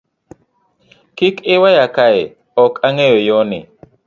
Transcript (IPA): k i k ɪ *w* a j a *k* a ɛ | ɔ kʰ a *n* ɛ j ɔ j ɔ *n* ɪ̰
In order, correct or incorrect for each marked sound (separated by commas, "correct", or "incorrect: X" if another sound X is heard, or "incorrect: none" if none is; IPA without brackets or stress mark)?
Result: correct, correct, incorrect: ŋ, correct